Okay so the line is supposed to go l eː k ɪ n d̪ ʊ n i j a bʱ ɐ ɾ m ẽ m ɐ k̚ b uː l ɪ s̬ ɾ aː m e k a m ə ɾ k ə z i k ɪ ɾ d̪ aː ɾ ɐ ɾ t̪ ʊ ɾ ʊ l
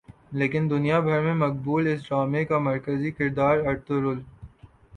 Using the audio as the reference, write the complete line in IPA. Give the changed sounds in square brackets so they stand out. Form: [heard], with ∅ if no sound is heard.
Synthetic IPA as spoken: l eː k ɪ n d̪ ʊ n i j a bʱ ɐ ɾ m ẽ m ɐ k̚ b uː l ɪ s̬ ɾ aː m e k a m [ɐ] ɾ k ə z i k ɪ ɾ d̪ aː ɾ ɐ ɾ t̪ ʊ ɾ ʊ l